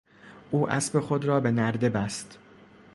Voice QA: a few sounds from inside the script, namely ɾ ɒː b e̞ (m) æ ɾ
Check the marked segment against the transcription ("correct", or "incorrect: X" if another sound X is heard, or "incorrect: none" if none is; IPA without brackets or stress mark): incorrect: n